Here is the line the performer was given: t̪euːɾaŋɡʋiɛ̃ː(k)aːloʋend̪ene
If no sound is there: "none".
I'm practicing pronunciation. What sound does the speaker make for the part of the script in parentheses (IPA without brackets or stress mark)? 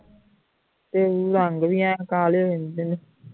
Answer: k